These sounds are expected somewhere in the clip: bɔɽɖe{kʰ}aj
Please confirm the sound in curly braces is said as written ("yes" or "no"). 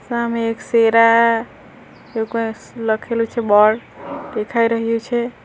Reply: yes